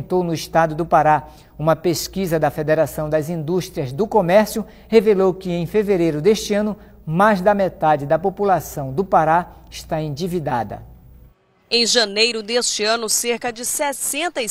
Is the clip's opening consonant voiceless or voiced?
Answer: voiceless